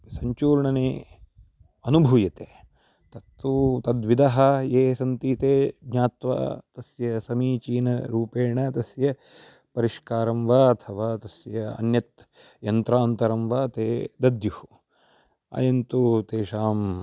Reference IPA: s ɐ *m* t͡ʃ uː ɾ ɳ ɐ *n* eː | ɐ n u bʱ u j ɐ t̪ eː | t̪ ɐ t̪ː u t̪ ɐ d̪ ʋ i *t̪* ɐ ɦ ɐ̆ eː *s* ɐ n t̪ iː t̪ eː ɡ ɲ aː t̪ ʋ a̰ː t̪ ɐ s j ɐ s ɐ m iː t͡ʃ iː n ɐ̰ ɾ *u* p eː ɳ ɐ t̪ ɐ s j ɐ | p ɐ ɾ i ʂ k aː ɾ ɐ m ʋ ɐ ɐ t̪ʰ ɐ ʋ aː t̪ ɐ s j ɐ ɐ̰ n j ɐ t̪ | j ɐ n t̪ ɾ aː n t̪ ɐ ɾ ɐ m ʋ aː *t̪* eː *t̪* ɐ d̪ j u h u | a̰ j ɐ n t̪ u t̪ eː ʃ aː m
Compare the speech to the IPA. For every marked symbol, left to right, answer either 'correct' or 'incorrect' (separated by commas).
incorrect, correct, incorrect, correct, incorrect, correct, incorrect